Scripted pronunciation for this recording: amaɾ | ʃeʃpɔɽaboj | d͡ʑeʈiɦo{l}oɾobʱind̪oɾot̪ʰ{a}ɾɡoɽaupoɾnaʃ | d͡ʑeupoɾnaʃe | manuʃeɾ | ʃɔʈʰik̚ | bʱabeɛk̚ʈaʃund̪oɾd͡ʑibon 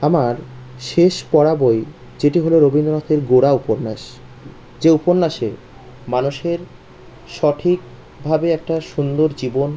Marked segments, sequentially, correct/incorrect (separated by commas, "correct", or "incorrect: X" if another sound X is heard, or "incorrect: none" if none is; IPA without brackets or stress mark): correct, incorrect: e